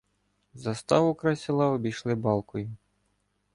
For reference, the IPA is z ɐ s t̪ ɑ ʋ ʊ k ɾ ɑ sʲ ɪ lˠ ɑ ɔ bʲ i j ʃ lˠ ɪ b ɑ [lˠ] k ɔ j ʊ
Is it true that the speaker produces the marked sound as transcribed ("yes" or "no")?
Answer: yes